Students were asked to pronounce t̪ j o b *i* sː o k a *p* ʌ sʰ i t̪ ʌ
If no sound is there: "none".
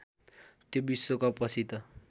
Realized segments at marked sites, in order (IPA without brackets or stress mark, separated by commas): i, p